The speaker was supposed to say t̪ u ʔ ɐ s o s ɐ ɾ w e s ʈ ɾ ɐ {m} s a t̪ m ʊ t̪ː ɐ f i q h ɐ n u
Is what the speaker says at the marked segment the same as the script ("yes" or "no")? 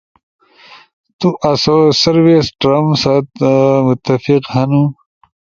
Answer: yes